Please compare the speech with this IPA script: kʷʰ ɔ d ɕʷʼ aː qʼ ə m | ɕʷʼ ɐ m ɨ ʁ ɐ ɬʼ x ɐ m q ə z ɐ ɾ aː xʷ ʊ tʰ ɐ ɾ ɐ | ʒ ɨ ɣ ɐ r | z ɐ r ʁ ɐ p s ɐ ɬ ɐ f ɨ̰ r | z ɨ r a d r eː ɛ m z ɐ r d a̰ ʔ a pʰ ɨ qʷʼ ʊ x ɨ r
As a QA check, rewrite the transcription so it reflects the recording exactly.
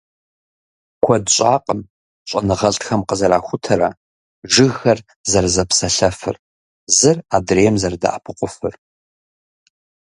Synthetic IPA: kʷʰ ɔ d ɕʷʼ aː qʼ ə m | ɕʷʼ ɐ n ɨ ʁ ɐ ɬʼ x ɐ m q ə z ɐ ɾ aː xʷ ʊ tʰ ɐ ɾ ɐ | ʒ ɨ ɣ ɐ r | z ɐ r z ɐ p s ɐ ɬ ɐ f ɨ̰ r | z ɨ r a d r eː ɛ m z ɐ r d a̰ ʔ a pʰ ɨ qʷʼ ʊ f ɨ r